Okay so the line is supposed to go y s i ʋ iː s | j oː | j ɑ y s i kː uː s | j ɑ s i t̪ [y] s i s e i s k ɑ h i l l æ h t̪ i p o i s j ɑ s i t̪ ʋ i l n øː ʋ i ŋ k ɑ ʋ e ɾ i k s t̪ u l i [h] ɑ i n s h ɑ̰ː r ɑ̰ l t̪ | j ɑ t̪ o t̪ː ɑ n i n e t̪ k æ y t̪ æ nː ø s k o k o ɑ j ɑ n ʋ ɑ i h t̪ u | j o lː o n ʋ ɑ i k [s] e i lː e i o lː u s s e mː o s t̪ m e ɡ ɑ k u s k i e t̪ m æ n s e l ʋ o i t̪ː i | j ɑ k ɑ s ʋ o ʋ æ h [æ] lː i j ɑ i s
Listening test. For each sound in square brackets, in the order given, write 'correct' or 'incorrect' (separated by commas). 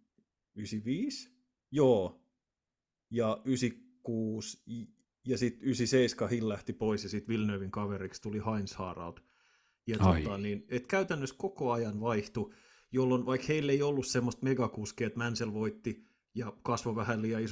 correct, correct, incorrect, correct